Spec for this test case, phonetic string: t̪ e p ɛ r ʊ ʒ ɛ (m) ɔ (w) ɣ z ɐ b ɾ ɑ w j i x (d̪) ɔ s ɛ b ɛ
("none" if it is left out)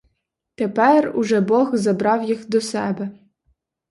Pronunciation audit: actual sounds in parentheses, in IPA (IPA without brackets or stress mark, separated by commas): b, none, d̪